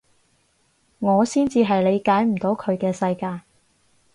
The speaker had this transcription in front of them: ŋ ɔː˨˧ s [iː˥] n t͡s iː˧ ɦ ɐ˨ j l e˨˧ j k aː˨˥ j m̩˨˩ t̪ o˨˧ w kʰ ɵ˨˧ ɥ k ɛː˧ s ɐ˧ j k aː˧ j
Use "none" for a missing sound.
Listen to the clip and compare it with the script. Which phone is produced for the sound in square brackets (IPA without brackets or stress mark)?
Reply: iː˥